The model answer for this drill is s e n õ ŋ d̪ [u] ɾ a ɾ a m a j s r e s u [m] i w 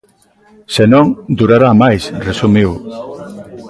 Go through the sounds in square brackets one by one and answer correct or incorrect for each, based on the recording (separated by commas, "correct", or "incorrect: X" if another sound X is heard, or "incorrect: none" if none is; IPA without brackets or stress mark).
correct, correct